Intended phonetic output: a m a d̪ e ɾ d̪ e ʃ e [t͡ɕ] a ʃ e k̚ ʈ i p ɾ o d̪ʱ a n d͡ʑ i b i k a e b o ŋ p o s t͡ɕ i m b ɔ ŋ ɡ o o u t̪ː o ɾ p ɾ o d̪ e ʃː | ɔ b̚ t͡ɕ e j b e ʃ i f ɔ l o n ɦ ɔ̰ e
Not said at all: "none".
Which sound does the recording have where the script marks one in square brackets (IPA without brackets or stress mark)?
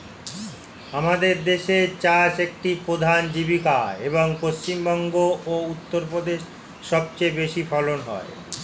t͡ɕ